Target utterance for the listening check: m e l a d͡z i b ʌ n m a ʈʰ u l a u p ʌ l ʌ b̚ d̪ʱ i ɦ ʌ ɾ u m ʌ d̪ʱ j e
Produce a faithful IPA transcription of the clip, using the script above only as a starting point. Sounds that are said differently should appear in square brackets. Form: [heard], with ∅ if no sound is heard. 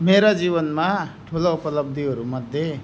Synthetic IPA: m e [ɾ] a d͡z i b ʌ n m a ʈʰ u l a u p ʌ l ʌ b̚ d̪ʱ i ɦ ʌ ɾ u m ʌ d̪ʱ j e